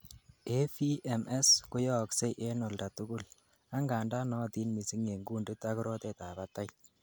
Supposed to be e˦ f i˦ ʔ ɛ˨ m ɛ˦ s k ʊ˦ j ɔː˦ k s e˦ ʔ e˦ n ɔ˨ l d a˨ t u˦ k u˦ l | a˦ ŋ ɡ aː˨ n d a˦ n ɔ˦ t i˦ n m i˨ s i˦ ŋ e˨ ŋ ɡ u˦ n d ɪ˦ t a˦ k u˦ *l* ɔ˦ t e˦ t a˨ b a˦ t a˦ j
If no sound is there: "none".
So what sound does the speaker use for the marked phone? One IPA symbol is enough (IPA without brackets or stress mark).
ɾ